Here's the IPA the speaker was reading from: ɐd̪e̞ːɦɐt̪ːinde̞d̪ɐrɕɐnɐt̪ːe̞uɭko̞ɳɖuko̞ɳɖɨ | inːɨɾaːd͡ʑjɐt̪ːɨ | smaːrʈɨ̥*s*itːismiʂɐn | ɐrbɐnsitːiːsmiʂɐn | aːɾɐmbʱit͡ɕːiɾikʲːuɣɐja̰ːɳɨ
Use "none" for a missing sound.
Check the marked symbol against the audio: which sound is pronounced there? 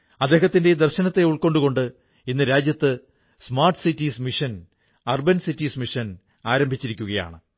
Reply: s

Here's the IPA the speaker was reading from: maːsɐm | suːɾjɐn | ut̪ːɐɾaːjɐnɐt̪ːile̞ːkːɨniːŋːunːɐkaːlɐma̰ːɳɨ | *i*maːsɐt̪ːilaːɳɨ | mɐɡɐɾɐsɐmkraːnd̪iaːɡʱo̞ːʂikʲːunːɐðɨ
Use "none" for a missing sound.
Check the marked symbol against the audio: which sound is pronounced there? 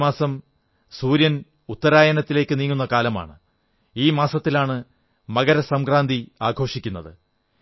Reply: iː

